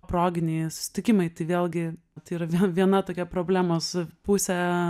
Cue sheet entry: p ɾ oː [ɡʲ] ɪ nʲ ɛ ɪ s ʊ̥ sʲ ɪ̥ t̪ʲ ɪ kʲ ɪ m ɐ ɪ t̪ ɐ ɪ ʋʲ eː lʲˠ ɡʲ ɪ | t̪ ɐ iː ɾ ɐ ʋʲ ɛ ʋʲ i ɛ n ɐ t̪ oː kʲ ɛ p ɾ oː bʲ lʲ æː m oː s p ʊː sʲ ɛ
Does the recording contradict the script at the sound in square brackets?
no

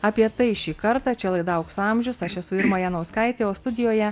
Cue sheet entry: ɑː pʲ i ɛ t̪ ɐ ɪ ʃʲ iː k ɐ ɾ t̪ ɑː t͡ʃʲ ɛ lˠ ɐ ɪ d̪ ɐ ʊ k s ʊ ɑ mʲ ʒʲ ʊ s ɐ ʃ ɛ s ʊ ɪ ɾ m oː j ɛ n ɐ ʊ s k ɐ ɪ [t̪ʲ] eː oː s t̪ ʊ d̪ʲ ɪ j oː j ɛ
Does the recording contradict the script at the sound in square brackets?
no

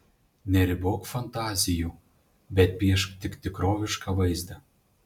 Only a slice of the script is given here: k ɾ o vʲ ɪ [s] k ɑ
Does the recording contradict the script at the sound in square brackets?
yes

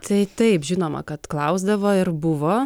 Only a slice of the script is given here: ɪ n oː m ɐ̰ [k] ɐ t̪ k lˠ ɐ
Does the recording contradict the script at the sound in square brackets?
no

